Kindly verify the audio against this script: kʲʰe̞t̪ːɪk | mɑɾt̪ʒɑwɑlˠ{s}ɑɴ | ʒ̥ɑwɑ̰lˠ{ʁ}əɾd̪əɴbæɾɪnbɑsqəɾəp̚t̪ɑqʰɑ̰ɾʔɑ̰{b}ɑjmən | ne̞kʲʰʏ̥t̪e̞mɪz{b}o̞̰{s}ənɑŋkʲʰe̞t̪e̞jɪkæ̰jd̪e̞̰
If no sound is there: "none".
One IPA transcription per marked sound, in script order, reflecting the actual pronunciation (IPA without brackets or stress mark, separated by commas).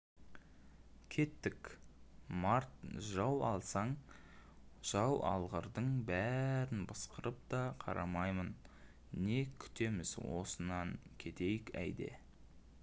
s, ʁ, m, w, s